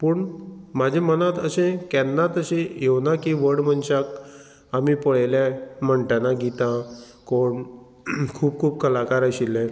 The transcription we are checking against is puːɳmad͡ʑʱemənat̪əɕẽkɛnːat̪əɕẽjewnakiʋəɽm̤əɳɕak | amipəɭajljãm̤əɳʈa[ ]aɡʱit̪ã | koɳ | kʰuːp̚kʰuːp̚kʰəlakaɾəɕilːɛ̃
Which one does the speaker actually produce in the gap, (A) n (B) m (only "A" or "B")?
A